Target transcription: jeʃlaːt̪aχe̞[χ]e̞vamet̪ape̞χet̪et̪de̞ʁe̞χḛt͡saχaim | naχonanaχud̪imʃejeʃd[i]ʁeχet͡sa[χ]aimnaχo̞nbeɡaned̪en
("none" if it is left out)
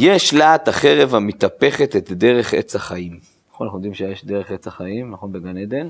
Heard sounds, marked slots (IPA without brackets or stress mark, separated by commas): ʁ, e, χ